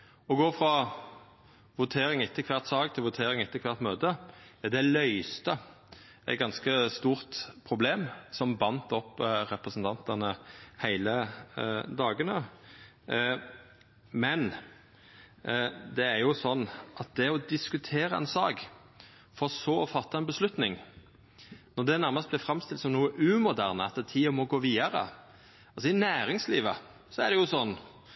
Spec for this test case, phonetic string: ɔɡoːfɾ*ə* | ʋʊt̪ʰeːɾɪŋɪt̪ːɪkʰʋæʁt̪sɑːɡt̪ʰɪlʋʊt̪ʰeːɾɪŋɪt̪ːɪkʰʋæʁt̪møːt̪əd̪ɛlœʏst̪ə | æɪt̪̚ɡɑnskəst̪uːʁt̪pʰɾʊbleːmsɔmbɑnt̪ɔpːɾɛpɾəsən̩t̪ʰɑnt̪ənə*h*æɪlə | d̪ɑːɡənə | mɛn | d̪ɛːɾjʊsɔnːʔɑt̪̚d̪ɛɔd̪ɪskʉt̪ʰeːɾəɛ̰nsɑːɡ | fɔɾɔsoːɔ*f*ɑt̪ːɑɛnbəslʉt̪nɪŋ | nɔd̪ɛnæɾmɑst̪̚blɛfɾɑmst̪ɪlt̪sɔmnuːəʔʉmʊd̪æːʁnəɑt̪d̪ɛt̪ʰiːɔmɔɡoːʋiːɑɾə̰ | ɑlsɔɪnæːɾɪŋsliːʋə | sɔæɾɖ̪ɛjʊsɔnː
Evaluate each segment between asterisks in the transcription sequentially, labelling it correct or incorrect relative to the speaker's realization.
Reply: incorrect, correct, correct

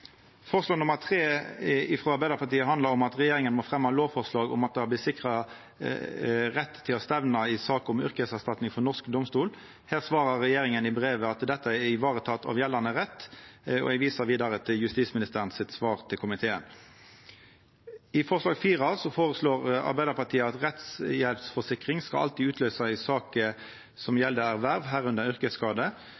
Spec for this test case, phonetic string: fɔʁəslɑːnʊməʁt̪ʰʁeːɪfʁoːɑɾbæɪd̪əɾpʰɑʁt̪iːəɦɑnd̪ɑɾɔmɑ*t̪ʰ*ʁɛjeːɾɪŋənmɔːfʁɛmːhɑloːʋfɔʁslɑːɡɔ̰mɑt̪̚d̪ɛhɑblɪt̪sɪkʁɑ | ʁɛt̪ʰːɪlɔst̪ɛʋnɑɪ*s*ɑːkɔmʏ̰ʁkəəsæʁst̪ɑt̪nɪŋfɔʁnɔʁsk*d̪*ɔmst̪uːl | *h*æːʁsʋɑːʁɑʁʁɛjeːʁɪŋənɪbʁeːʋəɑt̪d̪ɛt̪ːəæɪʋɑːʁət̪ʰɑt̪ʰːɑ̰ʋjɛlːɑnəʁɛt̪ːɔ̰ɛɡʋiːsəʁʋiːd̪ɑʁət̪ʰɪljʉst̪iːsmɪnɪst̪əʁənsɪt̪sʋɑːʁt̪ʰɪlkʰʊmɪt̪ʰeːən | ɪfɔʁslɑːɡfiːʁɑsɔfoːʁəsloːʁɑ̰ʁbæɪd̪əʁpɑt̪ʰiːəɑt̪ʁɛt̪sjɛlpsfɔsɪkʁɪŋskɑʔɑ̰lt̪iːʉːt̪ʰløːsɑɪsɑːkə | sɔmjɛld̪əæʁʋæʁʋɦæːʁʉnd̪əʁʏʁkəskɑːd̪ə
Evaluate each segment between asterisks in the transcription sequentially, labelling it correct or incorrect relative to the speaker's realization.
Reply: incorrect, correct, correct, correct

